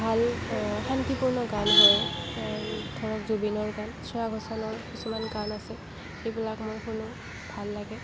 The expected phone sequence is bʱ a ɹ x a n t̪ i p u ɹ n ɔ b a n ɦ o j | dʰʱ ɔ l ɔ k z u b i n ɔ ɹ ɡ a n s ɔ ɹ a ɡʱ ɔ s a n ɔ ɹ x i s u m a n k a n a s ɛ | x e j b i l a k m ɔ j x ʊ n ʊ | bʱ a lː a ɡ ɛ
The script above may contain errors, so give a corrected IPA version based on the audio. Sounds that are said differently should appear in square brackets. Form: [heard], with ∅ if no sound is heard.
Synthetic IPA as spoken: bʱ a [l] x a n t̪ i p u ɹ n ɔ [ɡ] a n ɦ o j | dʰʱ ɔ [ɹ] ɔ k z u b i n ɔ ɹ ɡ a n s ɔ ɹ a ɡʱ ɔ s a n ɔ ɹ [k] i s u m a n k a n a s ɛ | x e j b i l a k m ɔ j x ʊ n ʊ | bʱ a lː a ɡ ɛ